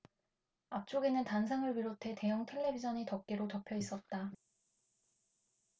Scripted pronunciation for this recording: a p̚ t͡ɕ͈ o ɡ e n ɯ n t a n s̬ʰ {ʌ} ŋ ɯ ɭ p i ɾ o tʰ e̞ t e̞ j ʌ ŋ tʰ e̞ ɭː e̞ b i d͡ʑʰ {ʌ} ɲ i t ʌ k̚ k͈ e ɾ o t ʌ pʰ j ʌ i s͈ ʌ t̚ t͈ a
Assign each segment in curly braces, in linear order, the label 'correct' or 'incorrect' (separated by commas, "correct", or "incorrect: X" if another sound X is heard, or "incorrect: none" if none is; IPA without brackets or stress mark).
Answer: incorrect: a, correct